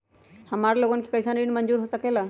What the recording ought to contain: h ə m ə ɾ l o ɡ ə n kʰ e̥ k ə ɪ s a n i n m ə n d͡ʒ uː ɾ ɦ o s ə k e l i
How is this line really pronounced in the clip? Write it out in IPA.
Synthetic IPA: h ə m a ɾ l o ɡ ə n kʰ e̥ k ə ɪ s a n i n m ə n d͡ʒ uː ɾ ɦ o s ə k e l a